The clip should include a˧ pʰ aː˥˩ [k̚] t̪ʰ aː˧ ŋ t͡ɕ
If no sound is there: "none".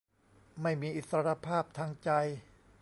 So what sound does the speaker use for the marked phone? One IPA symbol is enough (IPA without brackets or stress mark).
p̚